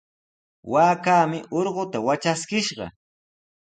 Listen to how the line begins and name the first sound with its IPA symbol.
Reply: w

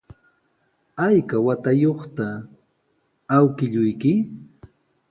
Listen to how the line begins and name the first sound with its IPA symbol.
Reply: a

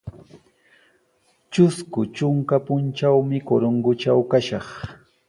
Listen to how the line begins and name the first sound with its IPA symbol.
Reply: t͡ʃ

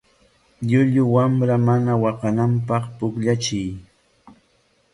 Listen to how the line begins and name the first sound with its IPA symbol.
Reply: ʎ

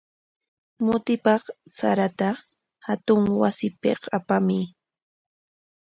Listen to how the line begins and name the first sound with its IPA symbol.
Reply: m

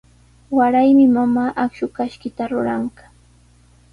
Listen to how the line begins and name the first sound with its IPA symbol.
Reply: w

